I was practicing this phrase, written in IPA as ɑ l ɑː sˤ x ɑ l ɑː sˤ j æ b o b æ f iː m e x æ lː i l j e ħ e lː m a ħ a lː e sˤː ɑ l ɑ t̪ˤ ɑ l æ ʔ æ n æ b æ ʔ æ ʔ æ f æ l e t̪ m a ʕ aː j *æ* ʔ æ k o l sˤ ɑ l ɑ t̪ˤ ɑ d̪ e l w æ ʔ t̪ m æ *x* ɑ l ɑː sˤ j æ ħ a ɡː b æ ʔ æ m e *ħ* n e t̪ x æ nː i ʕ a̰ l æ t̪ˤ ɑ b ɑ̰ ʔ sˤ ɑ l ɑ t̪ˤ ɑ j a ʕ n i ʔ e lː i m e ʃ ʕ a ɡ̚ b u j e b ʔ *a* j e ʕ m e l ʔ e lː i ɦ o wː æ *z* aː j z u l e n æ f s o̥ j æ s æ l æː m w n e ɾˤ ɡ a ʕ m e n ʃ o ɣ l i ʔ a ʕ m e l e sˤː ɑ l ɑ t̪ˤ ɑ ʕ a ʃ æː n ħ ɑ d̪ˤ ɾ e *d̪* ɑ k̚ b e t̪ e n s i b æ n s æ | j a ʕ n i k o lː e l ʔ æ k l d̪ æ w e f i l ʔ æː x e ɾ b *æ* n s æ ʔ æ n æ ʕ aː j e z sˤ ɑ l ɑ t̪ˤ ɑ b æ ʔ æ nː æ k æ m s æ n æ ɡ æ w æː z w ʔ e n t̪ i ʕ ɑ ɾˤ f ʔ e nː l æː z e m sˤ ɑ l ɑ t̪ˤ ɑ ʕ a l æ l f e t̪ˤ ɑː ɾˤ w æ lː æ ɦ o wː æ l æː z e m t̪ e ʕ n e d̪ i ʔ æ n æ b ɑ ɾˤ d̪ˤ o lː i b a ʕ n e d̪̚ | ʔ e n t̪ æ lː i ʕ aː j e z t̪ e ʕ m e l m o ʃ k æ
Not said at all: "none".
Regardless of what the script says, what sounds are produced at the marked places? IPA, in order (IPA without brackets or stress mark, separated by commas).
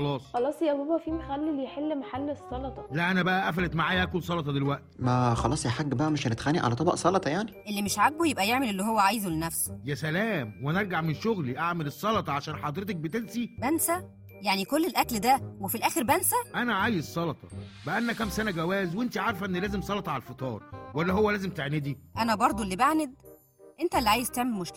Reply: æ, x, ʃ, æ, ʕ, t̪, æ